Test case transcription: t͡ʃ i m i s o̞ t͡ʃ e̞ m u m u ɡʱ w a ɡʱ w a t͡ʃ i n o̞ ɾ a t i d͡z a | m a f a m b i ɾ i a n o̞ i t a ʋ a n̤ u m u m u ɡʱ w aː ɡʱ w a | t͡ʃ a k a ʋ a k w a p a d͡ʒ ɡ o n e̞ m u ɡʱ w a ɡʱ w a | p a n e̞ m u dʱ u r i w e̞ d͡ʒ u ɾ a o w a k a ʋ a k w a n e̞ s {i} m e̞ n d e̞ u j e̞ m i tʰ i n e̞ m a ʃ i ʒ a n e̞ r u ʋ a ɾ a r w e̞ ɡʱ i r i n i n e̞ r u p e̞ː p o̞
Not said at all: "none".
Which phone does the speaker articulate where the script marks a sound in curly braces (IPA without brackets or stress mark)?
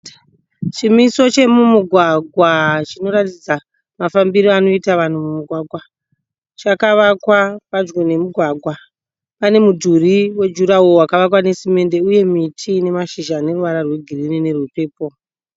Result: i